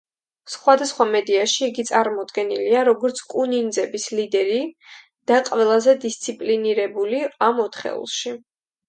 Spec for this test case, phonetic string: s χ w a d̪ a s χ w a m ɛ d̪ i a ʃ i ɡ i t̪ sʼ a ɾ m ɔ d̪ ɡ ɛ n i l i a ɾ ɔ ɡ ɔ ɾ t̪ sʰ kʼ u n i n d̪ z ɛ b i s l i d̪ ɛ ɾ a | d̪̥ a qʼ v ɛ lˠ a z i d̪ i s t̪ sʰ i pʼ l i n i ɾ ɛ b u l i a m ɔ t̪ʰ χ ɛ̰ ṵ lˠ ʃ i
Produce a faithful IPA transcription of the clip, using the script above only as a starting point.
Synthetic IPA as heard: s χ w a d̪ a s χ w a m ɛ d̪ i a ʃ iː ɡ i t̪ sʼ a ɾ m ɔ d̪ ɡ ɛ n i l i a ɾ ɔ ɡ ɔ ɾ t̪ sʰ kʼ u n i n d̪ z ɛ b i s l i d̪ ɛ ɾ i | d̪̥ a qʼ v ɛ lˠ a z ɛ d̪ i s t̪ sʰ i pʼ l i n i ɾ ɛ b u l i a m ɔ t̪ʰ χ ɛ̰ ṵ lˠ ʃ i